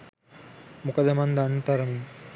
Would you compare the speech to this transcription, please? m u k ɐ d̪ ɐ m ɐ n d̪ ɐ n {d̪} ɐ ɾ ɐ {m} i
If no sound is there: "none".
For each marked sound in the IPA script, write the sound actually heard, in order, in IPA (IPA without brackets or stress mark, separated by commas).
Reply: t̪, m